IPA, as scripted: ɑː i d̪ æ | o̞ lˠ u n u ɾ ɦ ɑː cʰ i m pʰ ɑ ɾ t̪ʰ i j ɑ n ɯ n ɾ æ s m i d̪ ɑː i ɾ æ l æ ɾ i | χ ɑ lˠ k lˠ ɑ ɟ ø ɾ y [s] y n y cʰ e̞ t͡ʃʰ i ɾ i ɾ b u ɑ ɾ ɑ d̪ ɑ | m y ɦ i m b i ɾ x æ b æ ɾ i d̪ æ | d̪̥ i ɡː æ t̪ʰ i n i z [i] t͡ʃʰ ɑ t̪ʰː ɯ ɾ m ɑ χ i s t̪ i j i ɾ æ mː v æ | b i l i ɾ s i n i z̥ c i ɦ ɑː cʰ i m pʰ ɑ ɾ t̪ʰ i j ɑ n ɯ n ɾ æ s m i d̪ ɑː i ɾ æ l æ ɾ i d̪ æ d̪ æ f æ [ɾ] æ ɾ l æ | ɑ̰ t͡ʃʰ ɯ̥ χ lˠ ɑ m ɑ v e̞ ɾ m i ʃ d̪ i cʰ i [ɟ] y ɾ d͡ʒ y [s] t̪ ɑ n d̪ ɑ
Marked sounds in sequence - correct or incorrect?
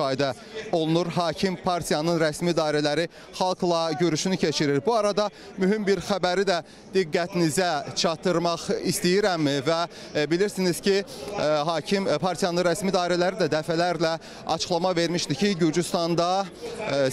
incorrect, incorrect, incorrect, correct, correct

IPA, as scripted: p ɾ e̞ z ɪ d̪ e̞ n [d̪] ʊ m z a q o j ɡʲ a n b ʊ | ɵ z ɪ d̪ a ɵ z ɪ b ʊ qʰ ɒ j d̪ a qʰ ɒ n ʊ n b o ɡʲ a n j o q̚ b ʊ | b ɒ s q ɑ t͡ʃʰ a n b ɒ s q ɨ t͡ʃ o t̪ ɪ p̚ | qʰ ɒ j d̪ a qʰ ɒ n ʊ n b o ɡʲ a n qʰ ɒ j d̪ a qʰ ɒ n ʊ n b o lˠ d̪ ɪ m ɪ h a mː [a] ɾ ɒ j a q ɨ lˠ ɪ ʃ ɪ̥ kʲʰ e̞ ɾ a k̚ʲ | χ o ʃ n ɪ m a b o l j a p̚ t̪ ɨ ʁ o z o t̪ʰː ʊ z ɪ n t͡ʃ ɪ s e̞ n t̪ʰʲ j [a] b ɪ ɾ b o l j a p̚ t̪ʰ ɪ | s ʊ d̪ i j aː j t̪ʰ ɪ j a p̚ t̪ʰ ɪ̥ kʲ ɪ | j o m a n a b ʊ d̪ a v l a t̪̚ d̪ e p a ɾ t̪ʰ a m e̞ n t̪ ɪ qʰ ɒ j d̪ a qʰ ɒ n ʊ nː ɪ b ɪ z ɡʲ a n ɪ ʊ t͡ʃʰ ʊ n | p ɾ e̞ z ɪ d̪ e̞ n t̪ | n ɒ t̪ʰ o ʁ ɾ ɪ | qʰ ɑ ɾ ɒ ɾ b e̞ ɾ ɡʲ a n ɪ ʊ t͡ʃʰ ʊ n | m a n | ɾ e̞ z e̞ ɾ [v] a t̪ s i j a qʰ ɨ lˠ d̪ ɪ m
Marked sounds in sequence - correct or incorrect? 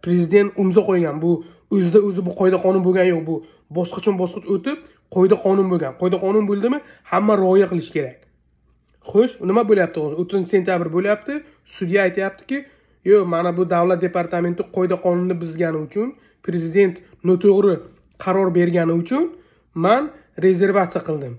incorrect, correct, correct, correct

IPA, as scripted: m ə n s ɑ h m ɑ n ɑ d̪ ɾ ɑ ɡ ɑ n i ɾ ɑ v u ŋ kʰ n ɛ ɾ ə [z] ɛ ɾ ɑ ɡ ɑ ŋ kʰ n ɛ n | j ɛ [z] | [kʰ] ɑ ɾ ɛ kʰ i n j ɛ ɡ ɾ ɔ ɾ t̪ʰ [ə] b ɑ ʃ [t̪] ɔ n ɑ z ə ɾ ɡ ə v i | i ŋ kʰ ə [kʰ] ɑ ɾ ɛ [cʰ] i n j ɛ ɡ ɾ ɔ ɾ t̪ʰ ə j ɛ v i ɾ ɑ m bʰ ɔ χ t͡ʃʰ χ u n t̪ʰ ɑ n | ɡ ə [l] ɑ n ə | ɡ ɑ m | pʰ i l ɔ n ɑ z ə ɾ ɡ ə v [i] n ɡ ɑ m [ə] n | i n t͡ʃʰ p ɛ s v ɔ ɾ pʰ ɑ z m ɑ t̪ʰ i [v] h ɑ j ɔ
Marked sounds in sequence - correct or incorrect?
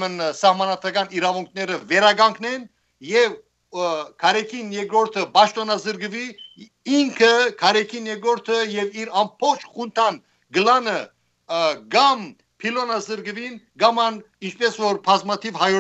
incorrect, incorrect, correct, correct, correct, correct, incorrect, correct, correct, incorrect, correct

